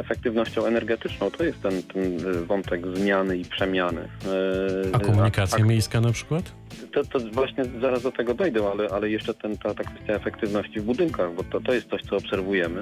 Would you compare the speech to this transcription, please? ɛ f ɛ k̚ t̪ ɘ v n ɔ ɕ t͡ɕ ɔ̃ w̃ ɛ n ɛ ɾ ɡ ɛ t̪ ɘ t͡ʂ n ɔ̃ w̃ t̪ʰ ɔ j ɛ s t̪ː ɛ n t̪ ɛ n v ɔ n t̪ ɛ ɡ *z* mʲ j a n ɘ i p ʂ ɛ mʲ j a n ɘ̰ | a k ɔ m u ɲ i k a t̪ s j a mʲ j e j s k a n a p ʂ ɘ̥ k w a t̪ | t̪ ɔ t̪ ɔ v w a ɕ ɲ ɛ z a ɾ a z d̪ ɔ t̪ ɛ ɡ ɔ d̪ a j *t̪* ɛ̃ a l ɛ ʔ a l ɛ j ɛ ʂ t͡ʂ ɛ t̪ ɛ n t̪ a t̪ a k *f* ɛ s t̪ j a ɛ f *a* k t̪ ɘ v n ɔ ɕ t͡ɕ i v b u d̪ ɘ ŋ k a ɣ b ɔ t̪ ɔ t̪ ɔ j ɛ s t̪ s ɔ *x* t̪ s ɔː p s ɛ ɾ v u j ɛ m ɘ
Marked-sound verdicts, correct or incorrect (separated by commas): correct, incorrect, correct, incorrect, incorrect